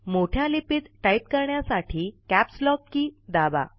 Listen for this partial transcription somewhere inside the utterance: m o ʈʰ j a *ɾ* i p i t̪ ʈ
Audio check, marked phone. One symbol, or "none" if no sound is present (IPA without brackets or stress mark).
l